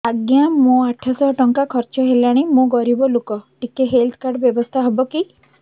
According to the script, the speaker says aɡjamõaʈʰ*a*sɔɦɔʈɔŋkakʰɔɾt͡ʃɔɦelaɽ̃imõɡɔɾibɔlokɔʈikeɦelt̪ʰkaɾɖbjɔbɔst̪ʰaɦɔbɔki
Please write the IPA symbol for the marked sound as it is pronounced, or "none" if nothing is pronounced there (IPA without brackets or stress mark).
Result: a